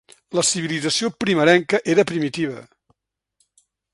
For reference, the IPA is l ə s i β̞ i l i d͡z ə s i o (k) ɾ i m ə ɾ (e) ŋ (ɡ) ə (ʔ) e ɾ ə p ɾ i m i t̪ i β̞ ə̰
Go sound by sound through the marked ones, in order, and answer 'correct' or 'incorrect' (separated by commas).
incorrect, incorrect, incorrect, correct